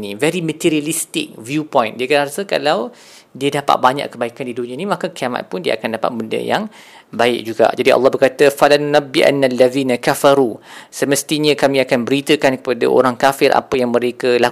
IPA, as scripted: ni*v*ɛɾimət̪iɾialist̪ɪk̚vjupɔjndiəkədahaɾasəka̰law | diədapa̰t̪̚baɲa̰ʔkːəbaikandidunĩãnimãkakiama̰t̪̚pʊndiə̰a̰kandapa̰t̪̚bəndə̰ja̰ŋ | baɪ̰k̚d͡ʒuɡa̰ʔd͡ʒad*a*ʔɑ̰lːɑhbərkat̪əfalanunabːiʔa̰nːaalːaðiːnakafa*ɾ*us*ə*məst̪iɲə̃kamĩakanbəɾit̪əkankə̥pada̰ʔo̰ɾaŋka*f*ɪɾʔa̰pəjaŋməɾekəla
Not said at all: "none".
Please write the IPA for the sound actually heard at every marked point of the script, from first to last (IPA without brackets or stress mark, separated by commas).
v, i, ɾ, ə, f